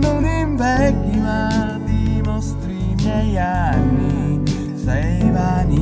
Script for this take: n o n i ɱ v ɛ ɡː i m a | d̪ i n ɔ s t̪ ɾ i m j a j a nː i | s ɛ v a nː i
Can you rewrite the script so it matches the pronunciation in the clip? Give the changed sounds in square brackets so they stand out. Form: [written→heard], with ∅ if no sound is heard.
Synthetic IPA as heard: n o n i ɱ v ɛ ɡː i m a | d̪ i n ɔ s t̪ ɾ i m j [a→ɛ] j a nː i | s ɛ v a [nː→n] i